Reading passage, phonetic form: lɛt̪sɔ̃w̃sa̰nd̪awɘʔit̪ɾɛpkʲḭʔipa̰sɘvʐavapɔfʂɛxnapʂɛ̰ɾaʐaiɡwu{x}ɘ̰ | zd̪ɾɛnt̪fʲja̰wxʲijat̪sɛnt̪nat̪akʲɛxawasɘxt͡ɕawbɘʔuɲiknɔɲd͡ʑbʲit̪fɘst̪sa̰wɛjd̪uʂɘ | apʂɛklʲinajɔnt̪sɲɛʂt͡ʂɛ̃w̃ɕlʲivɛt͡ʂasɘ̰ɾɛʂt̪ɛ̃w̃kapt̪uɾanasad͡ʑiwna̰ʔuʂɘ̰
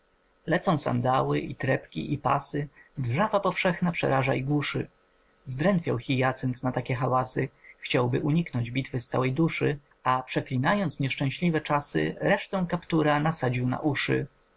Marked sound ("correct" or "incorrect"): incorrect